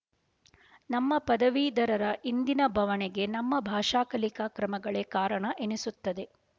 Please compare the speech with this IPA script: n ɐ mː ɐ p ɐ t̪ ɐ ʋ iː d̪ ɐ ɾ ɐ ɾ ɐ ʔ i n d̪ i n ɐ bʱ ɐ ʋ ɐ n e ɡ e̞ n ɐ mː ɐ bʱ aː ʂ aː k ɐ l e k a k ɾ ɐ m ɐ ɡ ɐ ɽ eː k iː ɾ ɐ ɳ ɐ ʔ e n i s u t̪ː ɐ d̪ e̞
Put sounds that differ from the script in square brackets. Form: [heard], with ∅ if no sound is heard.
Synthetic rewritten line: n ɐ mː ɐ p ɐ [d̪] ɐ ʋ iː d̪ ɐ ɾ ɐ ɾ ɐ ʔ i n d̪ i n ɐ bʱ ɐ ʋ ɐ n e ɡ e̞ n ɐ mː ɐ bʱ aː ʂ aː k ɐ l [i] k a k ɾ ɐ m ɐ ɡ ɐ [ɭ] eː k [aː] ɾ ɐ ɳ ɐ ʔ e n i s u t̪ː ɐ d̪ e̞

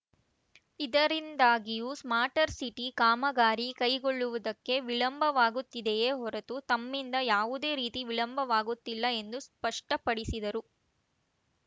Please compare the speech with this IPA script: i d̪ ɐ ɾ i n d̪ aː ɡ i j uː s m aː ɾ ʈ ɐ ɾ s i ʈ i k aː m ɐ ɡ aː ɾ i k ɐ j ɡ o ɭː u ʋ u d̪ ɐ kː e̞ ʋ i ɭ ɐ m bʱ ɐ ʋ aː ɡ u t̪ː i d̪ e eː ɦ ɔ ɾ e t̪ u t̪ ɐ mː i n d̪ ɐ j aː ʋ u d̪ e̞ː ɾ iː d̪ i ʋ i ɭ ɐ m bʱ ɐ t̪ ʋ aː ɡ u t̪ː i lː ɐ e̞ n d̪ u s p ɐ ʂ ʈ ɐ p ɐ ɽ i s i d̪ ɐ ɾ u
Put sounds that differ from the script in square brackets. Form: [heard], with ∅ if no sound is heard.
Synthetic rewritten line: i d̪ ɐ ɾ i n d̪ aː ɡ i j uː s m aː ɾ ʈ ɐ ɾ s i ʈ i k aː m ɐ ɡ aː ɾ i k ɐ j ɡ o ɭː u ʋ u d̪ ɐ kː e̞ ʋ i ɭ ɐ m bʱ ɐ ʋ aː ɡ u t̪ː i d̪ e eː ɦ ɔ ɾ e t̪ u t̪ ɐ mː i n d̪ ɐ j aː ʋ u d̪ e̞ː ɾ iː [t̪] i ʋ i ɭ ɐ m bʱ ɐ [∅] ʋ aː ɡ u t̪ː i lː ɐ e̞ n d̪ u s p ɐ ʂ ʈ ɐ p ɐ ɽ i s i d̪ ɐ ɾ u

